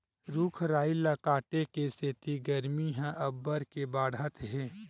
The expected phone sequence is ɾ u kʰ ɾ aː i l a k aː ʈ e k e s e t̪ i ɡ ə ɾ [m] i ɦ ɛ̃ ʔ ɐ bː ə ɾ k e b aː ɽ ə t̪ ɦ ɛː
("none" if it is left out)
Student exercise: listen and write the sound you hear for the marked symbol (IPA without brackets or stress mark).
m